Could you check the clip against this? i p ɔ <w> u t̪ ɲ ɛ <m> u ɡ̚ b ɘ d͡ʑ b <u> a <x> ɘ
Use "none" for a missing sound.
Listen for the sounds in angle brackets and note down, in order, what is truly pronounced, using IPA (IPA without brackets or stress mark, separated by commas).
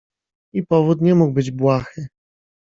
v, m, w, x